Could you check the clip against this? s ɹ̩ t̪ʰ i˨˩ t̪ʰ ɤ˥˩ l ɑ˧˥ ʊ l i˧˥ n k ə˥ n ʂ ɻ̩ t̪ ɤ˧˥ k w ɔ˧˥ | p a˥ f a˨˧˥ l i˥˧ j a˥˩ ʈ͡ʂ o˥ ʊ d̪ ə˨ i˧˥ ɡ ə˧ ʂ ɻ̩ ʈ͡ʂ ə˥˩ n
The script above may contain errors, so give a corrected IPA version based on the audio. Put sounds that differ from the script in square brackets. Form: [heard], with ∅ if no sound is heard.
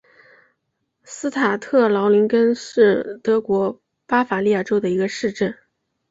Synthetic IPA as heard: s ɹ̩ t̪ʰ [a˨˩] t̪ʰ ɤ˥˩ l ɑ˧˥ ʊ l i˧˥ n k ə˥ n ʂ ɻ̩ t̪ ɤ˧˥ k w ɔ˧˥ | p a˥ f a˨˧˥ l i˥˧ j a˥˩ ʈ͡ʂ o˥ ʊ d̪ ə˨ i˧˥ ɡ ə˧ ʂ ɻ̩ ʈ͡ʂ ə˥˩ n